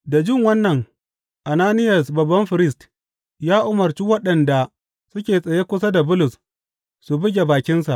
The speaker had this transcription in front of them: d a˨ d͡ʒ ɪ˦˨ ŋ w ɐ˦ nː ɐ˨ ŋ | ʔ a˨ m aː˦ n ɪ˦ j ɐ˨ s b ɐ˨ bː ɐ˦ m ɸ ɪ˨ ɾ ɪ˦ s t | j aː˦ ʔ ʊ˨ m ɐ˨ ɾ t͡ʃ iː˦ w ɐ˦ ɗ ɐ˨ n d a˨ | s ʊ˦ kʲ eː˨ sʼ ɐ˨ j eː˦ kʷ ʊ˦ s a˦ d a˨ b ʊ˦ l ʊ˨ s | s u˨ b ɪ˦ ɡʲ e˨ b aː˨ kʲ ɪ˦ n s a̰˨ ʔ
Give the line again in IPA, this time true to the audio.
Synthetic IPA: d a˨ d͡ʒ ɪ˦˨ ŋ w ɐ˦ nː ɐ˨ ŋ | ʔ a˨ n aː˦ n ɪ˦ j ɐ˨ s b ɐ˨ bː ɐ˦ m ɸ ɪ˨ ɾ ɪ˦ s t | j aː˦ ʔ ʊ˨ m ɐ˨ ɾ t͡ʃ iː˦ w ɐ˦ ɗ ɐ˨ n d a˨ | s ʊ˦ kʲ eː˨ sʼ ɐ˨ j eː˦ kʷ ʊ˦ s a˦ d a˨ b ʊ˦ l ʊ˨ s | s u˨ b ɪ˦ ɡʲ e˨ b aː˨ kʲ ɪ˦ n s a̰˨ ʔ